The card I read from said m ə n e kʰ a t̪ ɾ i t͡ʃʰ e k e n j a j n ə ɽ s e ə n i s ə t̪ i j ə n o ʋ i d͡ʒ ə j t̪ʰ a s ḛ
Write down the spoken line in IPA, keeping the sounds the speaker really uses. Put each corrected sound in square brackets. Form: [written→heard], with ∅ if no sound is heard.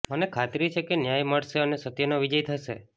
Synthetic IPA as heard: m ə n e kʰ a t̪ ɾ i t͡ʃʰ e k e n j a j [n→m] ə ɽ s e ə n [i→e] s ə t̪ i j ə n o ʋ i d͡ʒ ə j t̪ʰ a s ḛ